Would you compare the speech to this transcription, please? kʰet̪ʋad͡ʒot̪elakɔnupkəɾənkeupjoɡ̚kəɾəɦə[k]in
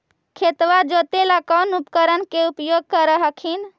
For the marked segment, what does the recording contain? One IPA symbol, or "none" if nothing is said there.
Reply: kʰ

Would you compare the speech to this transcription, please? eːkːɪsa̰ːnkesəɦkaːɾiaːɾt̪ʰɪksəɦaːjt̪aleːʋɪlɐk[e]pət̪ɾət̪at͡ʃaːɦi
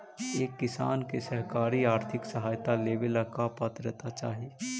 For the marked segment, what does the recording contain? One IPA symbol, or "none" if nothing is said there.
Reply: a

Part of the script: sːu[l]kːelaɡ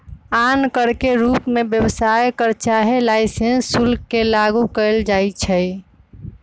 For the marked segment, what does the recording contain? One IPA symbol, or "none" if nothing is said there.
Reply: l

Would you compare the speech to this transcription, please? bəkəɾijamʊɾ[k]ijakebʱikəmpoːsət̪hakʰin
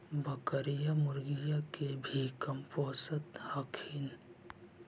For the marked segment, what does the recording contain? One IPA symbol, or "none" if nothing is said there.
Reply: ɡ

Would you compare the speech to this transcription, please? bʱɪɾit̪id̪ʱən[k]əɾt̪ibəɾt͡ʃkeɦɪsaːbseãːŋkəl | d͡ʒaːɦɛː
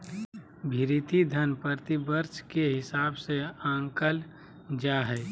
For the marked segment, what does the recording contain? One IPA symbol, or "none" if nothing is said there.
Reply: p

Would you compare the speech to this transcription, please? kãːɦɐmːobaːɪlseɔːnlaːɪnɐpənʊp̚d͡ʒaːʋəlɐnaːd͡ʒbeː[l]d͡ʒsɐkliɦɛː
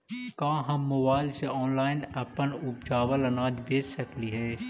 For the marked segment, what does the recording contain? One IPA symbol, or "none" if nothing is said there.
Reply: none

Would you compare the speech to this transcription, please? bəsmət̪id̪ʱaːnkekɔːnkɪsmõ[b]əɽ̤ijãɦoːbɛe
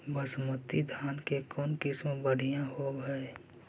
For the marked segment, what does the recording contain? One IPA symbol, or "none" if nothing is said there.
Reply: b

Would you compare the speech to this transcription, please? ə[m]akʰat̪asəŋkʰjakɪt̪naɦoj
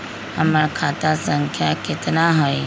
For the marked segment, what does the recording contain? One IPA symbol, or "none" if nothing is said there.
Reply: m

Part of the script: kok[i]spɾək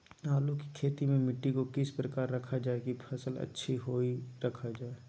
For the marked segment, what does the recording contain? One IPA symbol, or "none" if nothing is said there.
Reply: ɪ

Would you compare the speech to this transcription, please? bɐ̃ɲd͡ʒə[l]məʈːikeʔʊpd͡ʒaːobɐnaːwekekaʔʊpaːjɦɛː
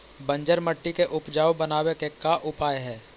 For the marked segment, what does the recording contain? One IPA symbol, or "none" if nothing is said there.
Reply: ɾ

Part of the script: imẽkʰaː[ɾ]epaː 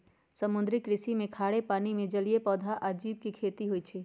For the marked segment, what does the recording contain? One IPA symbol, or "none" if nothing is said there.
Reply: ɽ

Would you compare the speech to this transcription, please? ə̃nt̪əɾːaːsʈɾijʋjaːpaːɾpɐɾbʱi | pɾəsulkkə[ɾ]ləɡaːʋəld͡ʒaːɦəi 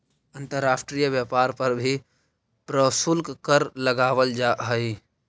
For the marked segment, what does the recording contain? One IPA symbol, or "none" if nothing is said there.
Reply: ɾ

